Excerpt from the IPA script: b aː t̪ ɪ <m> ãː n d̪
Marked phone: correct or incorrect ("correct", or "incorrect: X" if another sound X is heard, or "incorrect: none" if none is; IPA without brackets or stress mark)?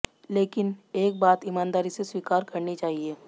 correct